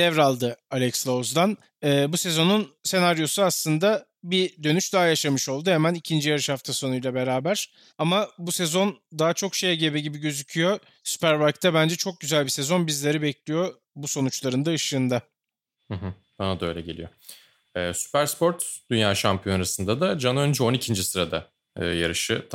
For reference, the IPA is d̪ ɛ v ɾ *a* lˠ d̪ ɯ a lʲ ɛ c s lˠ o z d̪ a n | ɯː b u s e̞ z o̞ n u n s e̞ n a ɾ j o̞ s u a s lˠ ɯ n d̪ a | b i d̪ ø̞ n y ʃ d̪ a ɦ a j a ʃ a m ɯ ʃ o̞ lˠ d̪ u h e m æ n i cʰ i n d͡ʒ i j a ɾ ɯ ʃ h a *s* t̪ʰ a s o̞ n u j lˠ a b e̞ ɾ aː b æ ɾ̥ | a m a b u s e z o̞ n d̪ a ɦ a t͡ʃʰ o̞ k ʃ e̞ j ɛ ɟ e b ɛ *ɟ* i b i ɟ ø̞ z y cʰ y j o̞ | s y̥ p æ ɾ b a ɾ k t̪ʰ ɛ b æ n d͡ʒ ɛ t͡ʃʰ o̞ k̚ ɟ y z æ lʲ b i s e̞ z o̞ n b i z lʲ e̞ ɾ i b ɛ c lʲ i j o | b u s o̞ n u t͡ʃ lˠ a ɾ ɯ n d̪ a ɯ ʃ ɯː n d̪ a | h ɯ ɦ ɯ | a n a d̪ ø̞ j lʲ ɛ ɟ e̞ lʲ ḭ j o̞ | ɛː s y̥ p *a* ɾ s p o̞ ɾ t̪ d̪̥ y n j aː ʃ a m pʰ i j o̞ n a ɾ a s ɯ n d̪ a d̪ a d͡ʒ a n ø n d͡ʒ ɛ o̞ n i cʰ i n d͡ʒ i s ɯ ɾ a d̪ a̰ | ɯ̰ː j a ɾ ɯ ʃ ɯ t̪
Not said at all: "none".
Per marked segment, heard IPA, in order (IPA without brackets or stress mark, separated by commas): a, f, ɟ, æ